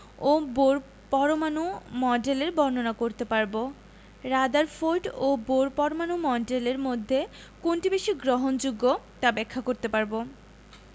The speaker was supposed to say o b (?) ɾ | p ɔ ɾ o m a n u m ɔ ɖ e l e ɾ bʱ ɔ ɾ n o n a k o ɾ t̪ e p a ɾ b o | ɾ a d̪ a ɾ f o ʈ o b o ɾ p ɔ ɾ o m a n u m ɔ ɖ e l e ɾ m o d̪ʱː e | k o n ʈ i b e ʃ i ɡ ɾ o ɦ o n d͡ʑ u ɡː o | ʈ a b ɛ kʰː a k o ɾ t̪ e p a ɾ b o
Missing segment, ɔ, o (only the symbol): o